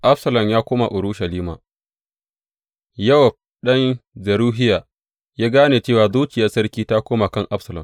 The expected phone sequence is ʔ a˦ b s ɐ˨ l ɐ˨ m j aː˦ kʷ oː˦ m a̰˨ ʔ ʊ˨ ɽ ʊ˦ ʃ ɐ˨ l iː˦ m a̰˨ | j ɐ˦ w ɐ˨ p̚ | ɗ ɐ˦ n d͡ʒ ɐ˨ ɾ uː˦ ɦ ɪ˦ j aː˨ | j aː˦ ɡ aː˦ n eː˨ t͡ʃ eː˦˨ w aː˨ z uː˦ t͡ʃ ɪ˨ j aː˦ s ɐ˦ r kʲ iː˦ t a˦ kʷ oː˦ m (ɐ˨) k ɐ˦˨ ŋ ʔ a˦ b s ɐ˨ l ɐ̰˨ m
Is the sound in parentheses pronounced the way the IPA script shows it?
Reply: no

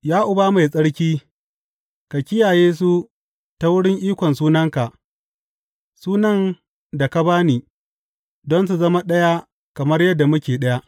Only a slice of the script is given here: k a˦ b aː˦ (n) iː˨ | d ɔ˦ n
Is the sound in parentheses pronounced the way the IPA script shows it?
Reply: yes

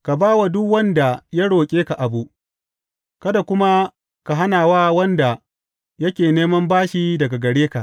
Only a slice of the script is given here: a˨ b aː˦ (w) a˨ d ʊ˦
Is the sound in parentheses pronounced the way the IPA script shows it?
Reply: yes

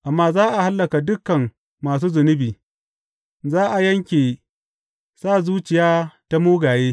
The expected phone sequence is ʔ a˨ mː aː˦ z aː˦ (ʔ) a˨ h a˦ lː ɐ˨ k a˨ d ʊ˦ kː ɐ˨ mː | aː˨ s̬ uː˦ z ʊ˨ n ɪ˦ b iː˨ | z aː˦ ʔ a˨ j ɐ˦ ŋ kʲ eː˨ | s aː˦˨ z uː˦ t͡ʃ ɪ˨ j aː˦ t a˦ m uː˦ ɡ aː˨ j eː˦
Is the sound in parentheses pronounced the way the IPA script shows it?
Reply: yes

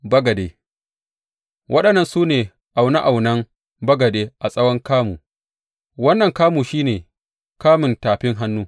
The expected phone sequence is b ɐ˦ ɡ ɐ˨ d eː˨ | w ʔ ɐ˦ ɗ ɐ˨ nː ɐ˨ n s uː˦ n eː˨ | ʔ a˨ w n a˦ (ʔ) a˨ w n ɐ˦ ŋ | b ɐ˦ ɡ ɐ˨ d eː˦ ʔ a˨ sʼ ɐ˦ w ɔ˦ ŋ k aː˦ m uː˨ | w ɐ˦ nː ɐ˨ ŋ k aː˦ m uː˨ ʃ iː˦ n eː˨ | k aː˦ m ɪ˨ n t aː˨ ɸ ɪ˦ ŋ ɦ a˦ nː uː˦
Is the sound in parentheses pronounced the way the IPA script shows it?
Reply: yes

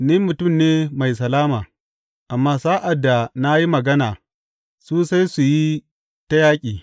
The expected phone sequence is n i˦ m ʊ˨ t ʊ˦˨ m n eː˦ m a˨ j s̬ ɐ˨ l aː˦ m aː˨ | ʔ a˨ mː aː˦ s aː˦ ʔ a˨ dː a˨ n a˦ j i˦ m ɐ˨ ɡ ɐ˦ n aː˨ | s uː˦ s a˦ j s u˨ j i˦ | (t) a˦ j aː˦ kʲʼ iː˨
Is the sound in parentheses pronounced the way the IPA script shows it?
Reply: yes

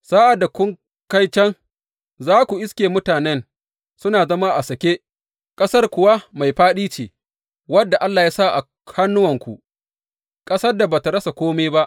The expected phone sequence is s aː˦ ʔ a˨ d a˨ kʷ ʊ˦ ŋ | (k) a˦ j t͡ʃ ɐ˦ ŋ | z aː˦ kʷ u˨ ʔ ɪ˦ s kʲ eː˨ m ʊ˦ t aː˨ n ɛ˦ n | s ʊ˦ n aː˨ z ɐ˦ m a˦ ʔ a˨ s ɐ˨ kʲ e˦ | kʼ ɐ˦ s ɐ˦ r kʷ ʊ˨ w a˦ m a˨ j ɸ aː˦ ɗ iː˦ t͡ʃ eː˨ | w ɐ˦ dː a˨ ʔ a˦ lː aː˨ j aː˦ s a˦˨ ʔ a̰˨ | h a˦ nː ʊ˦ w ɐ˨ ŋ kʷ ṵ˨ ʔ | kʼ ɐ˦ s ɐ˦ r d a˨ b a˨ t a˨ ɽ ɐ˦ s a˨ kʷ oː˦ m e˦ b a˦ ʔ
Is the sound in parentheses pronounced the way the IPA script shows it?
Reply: yes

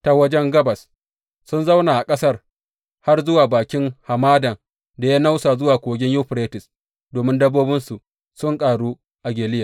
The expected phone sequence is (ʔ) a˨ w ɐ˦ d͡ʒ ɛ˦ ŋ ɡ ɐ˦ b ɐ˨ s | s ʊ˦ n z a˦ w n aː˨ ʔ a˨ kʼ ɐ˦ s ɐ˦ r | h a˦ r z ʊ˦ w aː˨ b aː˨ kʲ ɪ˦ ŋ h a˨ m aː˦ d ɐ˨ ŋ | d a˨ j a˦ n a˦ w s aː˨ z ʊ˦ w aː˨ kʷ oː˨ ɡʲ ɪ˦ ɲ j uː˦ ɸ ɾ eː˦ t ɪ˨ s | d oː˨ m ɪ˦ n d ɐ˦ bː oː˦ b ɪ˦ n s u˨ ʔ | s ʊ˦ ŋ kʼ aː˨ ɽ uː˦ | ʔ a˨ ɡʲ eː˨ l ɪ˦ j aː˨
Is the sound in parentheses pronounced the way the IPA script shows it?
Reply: no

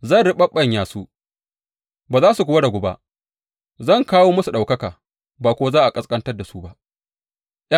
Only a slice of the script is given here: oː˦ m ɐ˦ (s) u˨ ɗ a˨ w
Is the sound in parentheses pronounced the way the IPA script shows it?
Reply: yes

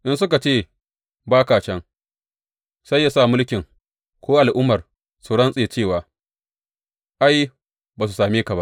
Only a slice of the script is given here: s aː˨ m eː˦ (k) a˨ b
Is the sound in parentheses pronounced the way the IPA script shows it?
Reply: yes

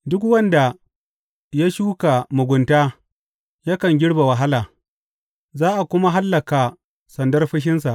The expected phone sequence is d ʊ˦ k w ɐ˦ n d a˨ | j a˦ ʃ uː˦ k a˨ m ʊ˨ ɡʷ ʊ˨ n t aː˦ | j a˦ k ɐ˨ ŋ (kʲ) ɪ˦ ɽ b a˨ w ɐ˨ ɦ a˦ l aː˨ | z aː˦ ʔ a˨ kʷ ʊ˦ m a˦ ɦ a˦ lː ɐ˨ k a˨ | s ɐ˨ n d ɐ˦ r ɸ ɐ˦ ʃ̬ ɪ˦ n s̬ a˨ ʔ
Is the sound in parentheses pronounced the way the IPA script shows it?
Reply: no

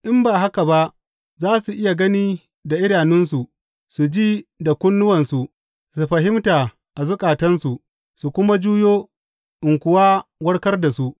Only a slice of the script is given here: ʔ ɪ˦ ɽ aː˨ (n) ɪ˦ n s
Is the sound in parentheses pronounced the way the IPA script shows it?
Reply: yes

